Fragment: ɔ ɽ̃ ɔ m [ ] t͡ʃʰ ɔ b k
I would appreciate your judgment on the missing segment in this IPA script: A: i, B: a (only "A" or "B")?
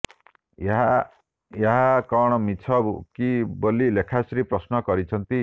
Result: A